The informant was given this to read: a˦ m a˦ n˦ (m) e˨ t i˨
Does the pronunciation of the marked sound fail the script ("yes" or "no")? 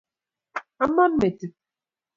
no